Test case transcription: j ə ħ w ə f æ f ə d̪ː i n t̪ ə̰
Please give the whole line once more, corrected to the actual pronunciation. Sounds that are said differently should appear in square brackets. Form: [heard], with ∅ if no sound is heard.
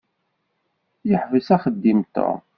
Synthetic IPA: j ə ħ [v] ə [s] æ [χ] ə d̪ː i [m] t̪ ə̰